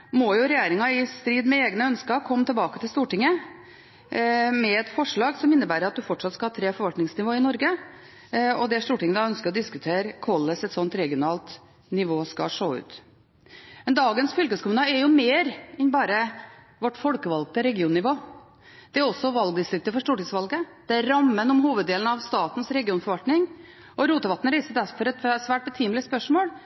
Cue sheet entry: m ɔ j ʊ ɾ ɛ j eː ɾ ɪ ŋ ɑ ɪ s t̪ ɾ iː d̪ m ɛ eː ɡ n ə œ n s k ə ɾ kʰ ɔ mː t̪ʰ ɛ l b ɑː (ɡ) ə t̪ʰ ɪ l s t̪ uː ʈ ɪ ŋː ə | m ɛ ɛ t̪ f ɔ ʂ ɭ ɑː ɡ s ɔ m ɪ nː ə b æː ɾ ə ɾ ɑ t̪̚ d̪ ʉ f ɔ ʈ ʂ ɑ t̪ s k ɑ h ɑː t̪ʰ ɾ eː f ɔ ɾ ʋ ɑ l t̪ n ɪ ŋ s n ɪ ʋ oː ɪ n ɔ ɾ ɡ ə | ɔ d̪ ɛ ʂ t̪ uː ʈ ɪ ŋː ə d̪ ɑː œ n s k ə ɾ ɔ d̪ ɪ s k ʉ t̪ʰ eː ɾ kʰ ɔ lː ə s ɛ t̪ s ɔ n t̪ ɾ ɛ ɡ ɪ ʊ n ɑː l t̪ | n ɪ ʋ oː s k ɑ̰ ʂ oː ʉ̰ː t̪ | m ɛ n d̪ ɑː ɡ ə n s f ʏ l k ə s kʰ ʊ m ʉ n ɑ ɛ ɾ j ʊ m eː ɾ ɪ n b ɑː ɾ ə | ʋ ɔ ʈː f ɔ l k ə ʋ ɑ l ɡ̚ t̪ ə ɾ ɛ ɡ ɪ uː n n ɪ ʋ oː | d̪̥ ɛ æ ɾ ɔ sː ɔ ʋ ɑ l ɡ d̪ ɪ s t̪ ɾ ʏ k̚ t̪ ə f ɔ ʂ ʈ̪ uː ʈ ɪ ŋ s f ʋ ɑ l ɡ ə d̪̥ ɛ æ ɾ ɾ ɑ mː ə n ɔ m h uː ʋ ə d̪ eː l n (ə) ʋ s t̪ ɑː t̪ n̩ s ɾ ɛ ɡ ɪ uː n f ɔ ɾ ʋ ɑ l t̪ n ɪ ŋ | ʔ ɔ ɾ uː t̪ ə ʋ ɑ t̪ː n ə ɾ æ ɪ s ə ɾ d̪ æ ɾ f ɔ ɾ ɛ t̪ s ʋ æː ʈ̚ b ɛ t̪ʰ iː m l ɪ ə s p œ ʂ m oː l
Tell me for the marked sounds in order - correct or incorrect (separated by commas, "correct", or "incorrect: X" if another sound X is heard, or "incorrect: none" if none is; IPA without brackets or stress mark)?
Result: incorrect: k, incorrect: ɑ